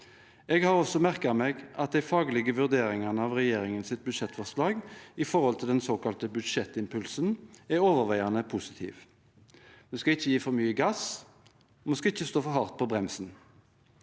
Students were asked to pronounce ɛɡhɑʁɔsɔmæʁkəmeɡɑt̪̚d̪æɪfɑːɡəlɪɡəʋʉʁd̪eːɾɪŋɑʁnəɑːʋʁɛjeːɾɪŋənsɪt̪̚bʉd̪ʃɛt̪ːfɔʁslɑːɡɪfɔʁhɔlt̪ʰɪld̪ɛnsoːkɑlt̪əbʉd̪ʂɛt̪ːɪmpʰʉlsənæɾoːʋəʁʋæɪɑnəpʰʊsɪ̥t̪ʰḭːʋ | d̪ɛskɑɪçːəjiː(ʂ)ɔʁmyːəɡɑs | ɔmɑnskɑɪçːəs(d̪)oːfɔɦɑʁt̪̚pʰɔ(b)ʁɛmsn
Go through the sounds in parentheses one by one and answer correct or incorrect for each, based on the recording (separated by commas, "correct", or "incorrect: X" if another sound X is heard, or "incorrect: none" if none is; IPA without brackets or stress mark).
incorrect: f, incorrect: t̪, correct